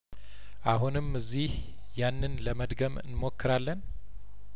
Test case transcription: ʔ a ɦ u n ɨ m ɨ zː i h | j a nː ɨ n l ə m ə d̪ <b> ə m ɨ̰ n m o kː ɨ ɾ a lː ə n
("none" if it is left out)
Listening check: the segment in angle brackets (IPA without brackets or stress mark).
ɡ